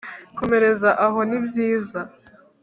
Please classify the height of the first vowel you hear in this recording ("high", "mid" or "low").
mid